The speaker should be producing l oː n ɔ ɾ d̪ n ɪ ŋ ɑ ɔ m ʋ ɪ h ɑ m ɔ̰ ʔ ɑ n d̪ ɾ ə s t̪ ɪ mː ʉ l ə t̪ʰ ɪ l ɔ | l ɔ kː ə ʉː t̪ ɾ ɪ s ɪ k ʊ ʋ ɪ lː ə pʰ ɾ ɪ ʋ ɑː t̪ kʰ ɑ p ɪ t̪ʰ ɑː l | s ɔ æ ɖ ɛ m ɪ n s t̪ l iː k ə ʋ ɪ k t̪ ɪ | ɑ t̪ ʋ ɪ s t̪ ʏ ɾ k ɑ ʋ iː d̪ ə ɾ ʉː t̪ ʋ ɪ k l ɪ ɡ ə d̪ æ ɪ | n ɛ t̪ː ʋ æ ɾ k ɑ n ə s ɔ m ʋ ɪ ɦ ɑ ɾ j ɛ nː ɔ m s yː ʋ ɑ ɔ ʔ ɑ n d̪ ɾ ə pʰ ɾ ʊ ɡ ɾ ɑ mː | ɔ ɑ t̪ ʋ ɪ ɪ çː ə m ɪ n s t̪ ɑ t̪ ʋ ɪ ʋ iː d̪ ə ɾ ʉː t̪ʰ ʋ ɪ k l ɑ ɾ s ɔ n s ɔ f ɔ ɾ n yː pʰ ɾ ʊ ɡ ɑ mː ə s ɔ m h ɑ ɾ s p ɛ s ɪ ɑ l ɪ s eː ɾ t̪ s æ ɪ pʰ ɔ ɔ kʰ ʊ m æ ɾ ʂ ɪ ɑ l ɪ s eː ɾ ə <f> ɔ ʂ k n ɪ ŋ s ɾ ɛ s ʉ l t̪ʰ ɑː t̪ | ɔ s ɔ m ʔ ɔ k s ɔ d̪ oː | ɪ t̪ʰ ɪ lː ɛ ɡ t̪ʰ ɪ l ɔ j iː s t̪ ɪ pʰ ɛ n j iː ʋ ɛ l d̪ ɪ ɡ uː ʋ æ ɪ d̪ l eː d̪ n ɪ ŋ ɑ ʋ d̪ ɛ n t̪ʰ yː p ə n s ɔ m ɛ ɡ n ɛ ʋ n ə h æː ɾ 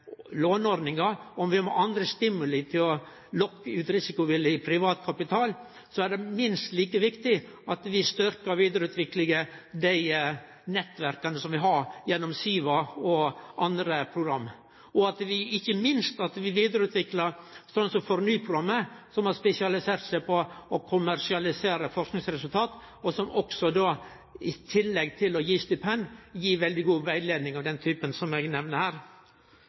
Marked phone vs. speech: correct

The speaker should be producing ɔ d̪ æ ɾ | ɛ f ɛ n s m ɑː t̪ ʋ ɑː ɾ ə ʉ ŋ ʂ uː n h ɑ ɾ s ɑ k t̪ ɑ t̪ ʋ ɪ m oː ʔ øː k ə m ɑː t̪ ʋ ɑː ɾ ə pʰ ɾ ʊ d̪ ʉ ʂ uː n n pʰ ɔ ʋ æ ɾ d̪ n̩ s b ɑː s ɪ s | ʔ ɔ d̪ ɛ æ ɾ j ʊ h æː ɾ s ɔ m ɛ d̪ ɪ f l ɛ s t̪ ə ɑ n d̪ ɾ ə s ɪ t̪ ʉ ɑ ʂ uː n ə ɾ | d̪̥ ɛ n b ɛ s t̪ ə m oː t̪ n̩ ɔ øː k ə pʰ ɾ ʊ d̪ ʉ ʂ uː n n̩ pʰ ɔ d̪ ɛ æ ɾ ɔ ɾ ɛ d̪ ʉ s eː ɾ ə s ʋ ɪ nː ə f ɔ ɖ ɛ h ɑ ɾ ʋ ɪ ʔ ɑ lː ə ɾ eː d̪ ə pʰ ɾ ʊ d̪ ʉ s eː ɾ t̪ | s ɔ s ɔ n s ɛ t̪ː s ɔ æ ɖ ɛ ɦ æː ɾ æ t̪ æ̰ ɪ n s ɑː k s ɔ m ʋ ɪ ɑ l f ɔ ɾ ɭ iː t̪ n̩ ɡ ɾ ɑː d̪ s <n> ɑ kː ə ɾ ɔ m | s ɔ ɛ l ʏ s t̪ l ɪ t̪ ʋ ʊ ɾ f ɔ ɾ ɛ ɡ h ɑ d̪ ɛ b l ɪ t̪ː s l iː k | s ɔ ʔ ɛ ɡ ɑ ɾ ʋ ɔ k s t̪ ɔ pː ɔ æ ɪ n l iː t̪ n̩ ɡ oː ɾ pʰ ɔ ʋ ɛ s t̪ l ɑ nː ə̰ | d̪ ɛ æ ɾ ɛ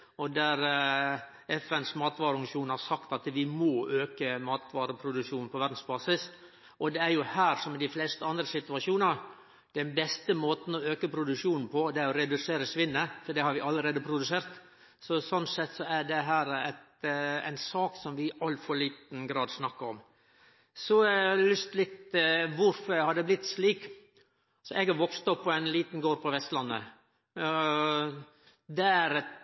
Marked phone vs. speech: correct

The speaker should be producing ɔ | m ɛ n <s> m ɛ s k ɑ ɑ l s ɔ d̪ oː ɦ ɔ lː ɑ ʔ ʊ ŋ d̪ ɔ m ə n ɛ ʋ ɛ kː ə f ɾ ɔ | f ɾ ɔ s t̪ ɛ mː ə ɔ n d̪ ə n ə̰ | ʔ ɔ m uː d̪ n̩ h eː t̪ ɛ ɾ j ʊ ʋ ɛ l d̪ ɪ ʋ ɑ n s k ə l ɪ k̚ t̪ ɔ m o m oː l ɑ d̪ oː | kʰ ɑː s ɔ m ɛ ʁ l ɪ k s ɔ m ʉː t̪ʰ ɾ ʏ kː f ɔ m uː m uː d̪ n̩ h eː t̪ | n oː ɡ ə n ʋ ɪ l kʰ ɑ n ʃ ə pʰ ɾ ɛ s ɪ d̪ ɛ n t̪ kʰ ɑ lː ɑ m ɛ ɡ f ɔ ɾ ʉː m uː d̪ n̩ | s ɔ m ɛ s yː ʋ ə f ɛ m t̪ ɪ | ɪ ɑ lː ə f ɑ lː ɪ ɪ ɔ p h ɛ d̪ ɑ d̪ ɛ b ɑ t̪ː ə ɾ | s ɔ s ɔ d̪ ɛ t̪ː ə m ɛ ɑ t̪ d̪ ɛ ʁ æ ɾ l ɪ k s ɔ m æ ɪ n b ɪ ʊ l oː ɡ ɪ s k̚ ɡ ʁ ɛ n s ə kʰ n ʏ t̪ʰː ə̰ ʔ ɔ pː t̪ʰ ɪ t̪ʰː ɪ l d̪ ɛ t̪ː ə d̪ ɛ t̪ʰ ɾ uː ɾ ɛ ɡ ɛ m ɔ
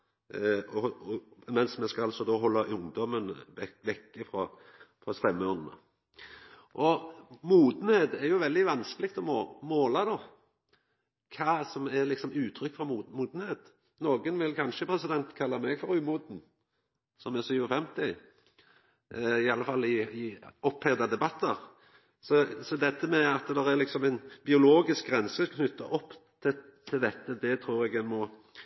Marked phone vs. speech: correct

